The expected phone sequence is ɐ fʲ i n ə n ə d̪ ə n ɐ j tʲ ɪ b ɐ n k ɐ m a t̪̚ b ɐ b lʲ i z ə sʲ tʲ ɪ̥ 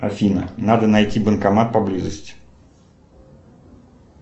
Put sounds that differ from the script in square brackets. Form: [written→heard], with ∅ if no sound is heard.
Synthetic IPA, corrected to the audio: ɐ fʲ i n ə n [ə→a] d̪ ə n ɐ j tʲ [ɪ→i] b [ɐ→ə] n k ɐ m a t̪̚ [b→p] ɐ b lʲ i z ə sʲ tʲ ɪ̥

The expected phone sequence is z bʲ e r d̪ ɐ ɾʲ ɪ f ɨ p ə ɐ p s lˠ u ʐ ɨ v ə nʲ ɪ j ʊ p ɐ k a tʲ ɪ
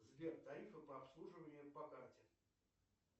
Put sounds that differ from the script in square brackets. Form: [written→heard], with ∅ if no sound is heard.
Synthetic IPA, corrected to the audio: z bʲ e r [d̪→t̪] ɐ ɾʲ [ɪ→i] f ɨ p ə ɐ p s lˠ u ʐ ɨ v ə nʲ ɪ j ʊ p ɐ k a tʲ ɪ

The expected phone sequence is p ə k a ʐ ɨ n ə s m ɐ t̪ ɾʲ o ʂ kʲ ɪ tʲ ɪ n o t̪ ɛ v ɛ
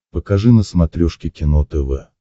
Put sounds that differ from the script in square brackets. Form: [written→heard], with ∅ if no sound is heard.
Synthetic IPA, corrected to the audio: p ə k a ʐ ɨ n ə s m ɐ t̪ ɾʲ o ʂ kʲ ɪ [tʲ→kʲ] ɪ n o t̪ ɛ v ɛ

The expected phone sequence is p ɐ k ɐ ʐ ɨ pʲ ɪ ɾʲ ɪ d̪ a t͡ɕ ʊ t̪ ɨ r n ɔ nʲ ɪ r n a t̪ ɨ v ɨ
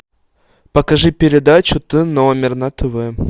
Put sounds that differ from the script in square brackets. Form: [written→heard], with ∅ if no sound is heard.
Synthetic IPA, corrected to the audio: p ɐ k ɐ ʐ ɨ pʲ ɪ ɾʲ ɪ d̪ a t͡ɕ ʊ t̪ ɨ [r→∅] n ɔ [nʲ→mʲ] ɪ r n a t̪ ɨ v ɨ

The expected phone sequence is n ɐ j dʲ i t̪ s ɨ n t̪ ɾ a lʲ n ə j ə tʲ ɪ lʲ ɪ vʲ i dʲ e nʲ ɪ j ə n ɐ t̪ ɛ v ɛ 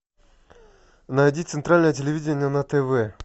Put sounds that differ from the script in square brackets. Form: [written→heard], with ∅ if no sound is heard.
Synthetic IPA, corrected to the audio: n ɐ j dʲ i t̪ s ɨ n t̪ ɾ a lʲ n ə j ə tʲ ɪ lʲ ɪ vʲ i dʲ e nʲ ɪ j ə n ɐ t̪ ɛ v ɛ

